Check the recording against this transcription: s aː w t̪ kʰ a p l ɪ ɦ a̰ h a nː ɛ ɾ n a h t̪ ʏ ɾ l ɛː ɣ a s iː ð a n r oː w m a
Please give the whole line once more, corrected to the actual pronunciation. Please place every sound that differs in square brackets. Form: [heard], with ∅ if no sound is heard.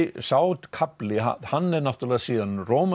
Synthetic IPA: s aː w t̪ kʰ a p l ɪ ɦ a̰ h a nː ɛ ɾ n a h t̪ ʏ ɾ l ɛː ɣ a s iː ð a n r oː w m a